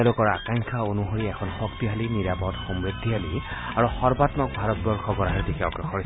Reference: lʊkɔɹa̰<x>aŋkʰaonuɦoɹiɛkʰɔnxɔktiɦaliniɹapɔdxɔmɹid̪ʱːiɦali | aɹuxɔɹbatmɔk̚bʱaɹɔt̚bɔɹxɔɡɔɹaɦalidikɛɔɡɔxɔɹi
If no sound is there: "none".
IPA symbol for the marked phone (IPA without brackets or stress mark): k